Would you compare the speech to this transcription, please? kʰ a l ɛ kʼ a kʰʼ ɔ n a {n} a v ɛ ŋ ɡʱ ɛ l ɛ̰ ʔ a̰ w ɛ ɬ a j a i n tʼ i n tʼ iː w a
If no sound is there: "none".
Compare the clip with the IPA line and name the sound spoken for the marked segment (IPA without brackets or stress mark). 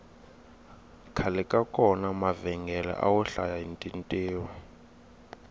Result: m